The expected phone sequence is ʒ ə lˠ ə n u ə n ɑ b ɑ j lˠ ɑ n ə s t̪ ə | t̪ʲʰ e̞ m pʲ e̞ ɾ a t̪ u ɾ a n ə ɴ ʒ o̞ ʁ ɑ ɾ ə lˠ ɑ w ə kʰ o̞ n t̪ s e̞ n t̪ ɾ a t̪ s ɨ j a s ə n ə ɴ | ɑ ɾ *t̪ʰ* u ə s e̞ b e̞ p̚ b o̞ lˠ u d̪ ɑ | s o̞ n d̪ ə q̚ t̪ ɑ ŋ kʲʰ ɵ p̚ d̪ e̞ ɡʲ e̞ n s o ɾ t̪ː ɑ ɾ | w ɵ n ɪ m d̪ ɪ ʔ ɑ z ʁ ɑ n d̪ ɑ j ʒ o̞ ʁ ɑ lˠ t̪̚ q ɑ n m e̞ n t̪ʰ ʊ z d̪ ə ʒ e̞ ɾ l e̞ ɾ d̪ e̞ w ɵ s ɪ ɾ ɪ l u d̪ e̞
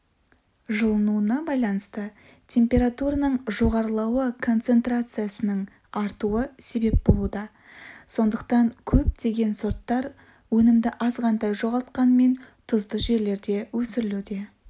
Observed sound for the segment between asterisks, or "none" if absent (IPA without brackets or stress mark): t̪